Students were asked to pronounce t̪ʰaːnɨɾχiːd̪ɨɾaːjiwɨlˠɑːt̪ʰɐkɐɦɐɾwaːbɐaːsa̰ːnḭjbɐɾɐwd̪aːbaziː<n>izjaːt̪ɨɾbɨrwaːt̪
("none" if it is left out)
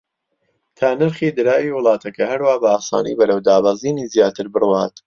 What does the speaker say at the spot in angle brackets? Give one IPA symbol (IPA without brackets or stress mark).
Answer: n